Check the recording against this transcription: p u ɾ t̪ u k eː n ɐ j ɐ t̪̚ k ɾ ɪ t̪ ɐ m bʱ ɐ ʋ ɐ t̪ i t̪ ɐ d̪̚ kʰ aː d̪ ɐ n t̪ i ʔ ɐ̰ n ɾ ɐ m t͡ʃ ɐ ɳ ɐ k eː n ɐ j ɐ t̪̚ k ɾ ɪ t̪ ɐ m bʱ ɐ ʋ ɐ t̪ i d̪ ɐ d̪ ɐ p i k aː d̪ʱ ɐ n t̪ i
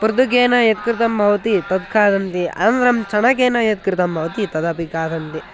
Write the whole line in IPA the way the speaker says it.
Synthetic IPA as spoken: p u ɾ d̪ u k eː n ɐ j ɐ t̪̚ k ɾ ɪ t̪ ɐ m bʱ ɐ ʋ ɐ t̪ i t̪ ɐ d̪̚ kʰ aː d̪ ɐ n t̪ i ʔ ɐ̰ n ɾ ɐ m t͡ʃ ɐ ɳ ɐ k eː n ɐ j ɐ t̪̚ k ɾ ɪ t̪ ɐ m bʱ ɐ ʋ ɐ t̪ i t̪ ɐ d̪ ɐ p i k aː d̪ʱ ɐ n t̪ i